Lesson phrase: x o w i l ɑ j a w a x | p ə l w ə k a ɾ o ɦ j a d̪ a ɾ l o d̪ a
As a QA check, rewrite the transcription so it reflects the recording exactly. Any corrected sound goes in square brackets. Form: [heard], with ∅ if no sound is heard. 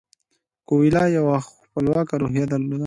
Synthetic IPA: [k] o w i l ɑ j a w a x | p ə l w [ɑ] k a ɾ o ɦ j a d̪ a ɾ l o d̪ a